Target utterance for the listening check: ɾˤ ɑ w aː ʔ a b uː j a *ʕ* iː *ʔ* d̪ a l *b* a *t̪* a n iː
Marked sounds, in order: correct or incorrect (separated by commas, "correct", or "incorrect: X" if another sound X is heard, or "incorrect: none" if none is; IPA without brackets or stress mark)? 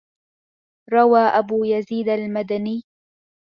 incorrect: z, incorrect: none, incorrect: m, incorrect: d̪